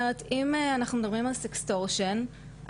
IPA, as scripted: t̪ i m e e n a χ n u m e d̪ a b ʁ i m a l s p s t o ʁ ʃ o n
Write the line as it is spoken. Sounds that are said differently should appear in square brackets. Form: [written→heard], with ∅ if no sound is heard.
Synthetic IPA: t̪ i m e [e→a] n a χ n u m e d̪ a b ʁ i m a l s [p→k] s t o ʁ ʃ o n

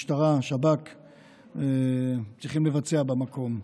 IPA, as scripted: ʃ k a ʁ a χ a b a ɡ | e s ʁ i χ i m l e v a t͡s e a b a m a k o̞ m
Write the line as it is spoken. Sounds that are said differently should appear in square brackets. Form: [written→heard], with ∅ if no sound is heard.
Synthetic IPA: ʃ [k→t] a ʁ a [χ→ʃ] a b a [ɡ→k] | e [s→t͡s] ʁ i χ i m l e v a t͡s e a b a m a k o̞ m

